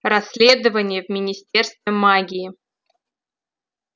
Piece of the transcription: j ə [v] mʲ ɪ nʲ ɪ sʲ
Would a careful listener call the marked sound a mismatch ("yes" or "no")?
no